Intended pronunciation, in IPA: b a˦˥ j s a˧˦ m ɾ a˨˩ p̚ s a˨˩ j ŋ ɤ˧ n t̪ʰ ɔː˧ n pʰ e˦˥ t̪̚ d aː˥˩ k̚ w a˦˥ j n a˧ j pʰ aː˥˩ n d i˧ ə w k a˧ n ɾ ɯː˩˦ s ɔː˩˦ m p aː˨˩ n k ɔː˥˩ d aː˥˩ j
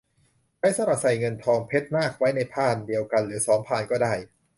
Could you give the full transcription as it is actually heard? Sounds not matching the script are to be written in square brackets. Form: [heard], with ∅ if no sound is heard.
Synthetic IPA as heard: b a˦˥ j s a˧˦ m ɾ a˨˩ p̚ s a˨˩ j ŋ ɤ˧ n t̪ʰ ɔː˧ [ŋ] pʰ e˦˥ t̪̚ [n] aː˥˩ k̚ w a˦˥ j n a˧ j pʰ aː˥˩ n d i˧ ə w k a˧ n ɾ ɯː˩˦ s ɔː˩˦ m [pʰ] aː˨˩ n k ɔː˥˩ d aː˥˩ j

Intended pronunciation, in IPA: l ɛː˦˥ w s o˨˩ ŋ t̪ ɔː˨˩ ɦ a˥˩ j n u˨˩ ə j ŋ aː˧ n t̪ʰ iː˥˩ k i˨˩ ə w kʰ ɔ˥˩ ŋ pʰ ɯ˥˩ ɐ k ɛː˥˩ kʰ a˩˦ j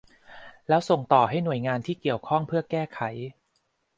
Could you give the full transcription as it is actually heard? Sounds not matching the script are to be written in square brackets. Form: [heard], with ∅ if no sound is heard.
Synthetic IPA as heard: l ɛː˦˥ w s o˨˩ ŋ t̪ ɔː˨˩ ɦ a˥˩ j n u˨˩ ə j ŋ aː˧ n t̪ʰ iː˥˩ k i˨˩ ə w kʰ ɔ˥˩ ŋ pʰ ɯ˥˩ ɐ k ɛː˥˩ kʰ a˩˦ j

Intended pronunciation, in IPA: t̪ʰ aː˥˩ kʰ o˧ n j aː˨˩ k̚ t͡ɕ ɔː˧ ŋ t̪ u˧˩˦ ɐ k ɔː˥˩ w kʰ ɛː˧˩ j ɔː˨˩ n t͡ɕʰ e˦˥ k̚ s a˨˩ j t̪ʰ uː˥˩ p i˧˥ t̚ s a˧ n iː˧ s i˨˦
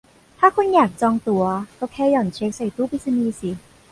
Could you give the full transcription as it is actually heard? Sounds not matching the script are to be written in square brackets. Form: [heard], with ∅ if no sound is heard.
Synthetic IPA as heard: t̪ʰ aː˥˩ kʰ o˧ n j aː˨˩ k̚ t͡ɕ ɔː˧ ŋ t̪ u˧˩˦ ɐ k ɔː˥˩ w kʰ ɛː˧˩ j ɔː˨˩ n t͡ɕʰ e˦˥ k̚ s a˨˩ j [t̪] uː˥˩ p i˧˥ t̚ s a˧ n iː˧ s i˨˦

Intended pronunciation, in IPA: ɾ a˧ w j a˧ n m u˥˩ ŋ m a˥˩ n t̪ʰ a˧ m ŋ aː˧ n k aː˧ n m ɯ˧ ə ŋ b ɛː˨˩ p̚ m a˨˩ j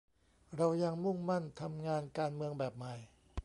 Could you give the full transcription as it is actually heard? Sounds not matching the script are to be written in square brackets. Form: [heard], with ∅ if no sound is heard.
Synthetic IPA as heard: ɾ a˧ w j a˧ [ŋ] m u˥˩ ŋ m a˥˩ n t̪ʰ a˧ m ŋ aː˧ n k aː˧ n m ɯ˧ ə ŋ b ɛː˨˩ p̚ m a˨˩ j

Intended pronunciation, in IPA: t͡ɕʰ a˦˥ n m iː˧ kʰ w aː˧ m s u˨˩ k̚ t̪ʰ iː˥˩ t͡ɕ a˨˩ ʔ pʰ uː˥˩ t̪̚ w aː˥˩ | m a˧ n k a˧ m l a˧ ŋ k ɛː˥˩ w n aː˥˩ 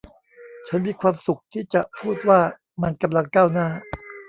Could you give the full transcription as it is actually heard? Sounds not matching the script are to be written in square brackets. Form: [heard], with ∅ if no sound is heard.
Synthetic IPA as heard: t͡ɕʰ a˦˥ n m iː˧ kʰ w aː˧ m s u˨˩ k̚ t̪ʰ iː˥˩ t͡ɕ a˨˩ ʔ pʰ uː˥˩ t̪̚ w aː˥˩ | m a˧ n k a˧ m l a˧ ŋ k [aː˥˩] w n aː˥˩

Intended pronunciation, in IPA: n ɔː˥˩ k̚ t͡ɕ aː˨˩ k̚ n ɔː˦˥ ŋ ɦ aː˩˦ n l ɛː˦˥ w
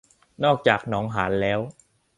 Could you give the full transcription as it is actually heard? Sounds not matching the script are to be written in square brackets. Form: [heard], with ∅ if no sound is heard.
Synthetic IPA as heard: n ɔː˥˩ k̚ t͡ɕ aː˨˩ k̚ n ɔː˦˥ ŋ ɦ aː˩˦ n l ɛː˦˥ w

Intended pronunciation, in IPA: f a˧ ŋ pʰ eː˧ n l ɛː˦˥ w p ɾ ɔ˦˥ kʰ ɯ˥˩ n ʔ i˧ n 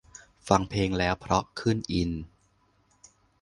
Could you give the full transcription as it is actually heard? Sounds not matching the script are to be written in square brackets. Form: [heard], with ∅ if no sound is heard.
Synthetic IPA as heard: f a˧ ŋ pʰ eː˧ [ŋ] l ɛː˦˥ w [pʰ] ɾ ɔ˦˥ kʰ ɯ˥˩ n ʔ i˧ n

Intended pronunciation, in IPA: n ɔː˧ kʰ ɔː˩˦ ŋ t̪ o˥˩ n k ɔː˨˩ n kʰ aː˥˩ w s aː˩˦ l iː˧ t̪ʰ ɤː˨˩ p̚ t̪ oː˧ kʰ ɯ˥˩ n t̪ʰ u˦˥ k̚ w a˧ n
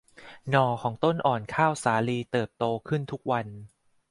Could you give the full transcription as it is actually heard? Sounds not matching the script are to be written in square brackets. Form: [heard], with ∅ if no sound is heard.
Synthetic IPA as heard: n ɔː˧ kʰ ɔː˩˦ ŋ t̪ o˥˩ n [ʔ] ɔː˨˩ n kʰ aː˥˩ w s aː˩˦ l iː˧ [t̪] ɤː˨˩ p̚ t̪ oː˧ kʰ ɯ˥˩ n t̪ʰ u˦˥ k̚ w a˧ n

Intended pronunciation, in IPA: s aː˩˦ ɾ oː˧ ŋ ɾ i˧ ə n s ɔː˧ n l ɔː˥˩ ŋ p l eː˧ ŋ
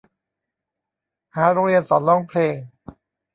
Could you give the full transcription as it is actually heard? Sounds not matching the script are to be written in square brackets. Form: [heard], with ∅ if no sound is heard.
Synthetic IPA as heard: [h] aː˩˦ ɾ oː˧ ŋ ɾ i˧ ə n s [ɔː˩˦] n l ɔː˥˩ ŋ [pʰ] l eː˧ ŋ

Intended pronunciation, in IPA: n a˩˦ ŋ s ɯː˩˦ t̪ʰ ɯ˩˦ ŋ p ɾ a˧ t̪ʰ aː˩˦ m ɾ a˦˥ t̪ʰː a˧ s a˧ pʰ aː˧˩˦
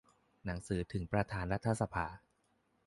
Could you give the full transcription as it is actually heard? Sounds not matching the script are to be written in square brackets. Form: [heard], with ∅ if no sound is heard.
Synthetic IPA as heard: n a˩˦ ŋ s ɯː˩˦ t̪ʰ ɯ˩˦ ŋ p ɾ a˧ t̪ʰ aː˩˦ [n] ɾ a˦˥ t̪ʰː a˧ s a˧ pʰ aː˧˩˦

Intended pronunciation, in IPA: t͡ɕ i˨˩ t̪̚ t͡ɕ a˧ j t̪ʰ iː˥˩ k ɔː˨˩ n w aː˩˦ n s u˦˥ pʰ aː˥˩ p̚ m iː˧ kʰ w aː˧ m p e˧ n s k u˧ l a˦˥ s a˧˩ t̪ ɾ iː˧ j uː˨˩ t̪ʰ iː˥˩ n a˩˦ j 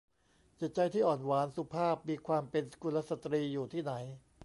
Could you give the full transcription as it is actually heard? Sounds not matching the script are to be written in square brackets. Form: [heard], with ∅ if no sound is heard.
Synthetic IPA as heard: t͡ɕ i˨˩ t̪̚ t͡ɕ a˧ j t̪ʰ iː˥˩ [ʔ] ɔː˨˩ n w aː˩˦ n s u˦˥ pʰ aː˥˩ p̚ m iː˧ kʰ w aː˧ m p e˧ n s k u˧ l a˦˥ s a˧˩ t̪ ɾ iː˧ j uː˨˩ t̪ʰ iː˥˩ n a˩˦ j

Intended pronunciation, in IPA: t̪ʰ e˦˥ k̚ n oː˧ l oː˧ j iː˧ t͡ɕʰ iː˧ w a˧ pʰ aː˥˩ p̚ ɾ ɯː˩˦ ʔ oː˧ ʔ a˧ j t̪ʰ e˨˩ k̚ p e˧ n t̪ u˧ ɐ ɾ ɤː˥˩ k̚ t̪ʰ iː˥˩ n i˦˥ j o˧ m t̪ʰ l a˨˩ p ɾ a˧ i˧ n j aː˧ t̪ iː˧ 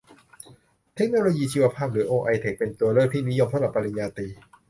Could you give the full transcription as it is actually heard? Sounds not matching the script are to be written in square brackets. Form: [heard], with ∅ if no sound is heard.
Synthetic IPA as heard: t̪ʰ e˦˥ k̚ n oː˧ l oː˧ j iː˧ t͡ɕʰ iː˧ w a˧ pʰ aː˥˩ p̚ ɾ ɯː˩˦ ʔ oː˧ ʔ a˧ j t̪ʰ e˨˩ k̚ p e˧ n t̪ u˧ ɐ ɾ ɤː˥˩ k̚ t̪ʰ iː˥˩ n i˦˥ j o˧ m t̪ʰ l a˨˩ p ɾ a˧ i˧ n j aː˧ t̪ iː˧

